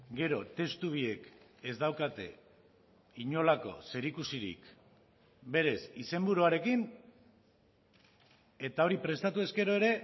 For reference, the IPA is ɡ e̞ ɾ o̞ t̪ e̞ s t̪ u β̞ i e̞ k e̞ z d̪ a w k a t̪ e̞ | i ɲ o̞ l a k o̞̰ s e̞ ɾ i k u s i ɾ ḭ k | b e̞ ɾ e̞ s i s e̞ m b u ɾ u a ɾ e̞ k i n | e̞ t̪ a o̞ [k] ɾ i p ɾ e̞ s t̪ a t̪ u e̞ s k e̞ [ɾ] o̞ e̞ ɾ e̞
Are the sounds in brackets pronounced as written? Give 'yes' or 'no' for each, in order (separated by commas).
no, yes